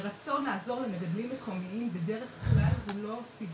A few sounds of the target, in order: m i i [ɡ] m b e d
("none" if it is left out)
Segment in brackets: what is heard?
none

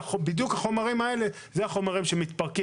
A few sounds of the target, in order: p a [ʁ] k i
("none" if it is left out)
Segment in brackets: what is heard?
ʁ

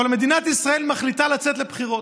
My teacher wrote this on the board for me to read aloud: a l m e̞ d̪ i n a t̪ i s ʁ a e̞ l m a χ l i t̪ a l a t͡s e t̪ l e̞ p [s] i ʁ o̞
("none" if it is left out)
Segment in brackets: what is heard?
χ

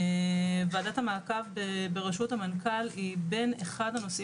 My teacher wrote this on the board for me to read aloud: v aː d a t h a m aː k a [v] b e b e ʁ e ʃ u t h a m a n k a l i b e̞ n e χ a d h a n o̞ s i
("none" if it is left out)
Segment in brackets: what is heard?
v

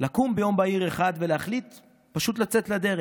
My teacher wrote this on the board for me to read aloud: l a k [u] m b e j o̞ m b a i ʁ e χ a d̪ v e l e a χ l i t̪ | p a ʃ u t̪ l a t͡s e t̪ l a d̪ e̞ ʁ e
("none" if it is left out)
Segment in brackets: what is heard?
u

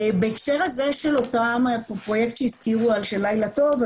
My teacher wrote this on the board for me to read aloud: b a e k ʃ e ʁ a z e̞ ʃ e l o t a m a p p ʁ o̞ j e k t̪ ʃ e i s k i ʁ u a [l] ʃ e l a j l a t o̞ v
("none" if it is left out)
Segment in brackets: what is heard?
l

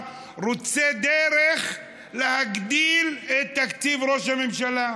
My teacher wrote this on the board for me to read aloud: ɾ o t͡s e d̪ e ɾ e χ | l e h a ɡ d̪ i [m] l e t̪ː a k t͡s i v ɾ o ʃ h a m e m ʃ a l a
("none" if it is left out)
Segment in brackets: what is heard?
none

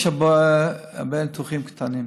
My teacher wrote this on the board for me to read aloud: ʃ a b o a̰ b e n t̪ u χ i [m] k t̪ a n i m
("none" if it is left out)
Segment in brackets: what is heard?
m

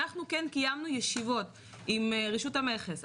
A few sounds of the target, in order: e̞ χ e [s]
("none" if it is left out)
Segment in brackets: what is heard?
s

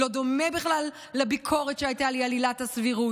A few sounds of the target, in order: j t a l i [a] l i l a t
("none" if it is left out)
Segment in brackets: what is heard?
a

